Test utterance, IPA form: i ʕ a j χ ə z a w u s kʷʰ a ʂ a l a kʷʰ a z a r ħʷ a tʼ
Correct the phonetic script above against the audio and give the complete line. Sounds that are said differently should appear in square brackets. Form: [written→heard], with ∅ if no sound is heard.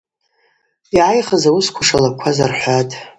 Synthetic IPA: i ʕ a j χ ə z a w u s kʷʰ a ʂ a l a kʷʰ a z a r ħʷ a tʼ